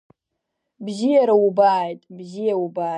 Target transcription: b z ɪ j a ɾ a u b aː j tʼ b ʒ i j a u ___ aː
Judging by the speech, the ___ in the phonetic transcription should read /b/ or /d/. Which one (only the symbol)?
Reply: b